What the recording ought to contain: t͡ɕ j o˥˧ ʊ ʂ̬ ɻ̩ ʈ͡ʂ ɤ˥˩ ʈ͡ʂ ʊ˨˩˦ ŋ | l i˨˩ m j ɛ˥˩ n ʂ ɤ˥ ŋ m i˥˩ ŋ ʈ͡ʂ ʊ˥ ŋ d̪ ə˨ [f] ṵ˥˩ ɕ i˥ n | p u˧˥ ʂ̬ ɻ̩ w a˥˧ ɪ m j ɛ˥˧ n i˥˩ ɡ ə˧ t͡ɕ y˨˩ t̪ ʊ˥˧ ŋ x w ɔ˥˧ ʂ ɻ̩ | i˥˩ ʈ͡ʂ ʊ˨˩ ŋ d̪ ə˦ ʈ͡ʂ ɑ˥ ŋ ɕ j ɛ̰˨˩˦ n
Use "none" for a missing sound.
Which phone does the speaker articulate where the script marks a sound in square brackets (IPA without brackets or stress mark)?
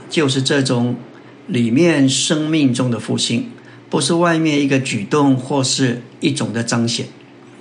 f